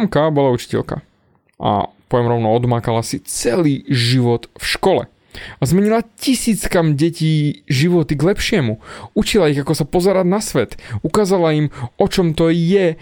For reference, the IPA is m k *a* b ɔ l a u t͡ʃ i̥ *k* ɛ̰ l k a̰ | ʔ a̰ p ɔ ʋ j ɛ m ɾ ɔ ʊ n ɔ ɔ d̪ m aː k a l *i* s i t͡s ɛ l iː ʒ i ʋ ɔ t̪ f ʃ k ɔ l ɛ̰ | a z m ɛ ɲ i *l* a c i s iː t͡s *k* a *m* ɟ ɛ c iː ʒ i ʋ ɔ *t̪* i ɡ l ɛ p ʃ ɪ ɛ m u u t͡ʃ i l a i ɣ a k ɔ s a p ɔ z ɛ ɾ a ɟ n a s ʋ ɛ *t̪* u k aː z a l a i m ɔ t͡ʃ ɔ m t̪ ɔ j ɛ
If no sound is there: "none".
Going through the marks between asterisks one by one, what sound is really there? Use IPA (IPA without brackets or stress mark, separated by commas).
a, c, a, l, k, m, t̪, t̪